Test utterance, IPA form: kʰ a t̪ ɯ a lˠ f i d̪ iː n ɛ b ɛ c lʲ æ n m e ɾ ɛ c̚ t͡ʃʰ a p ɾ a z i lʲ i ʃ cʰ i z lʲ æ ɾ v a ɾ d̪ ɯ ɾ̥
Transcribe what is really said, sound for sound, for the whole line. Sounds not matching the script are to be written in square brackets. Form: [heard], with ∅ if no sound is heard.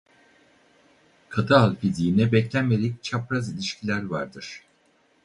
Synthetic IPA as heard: kʰ a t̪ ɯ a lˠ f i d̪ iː n ɛ b ɛ c lʲ æ n m e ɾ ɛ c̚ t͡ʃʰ a p ɾ a z i lʲ i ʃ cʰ i [∅] lʲ æ ɾ v a ɾ d̪ ɯ ɾ̥